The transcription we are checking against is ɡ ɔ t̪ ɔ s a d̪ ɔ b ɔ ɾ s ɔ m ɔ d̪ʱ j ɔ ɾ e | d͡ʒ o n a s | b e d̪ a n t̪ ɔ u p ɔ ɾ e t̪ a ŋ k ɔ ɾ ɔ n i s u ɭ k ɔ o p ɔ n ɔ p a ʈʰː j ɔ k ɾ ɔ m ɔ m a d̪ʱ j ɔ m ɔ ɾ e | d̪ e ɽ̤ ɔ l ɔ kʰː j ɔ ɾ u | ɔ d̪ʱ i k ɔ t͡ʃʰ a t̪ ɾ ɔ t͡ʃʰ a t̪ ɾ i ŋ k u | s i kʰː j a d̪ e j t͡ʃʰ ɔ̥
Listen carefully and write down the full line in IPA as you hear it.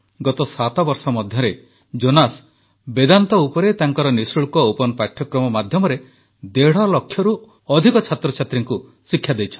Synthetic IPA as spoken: ɡ ɔ t̪ ɔ s a t̪ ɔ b ɔ ɾ s ɔ m ɔ d̪ʱ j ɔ ɾ e | d͡ʒ o n a s | b e d̪ a n t̪ ɔ u p ɔ ɾ e t̪ a ŋ k ɔ ɾ ɔ n i s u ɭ k ɔ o p ɔ n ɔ p a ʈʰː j ɔ k ɾ ɔ m ɔ m a d̪ʱ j ɔ m ɔ ɾ e | d̪ e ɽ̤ ɔ l ɔ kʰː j ɔ ɾ u | ɔ d̪ʱ i k ɔ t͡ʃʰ a t̪ ɾ ɔ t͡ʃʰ a t̪ ɾ i ŋ k u | s i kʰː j a d̪ e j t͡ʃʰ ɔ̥